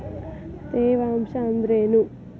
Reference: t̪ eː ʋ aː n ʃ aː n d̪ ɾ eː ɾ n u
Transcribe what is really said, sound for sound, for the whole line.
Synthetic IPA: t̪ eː ʋ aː m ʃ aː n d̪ ɾ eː n u